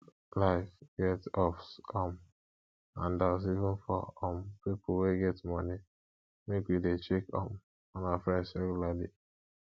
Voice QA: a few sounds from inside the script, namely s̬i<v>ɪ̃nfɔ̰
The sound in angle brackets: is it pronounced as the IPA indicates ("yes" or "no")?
yes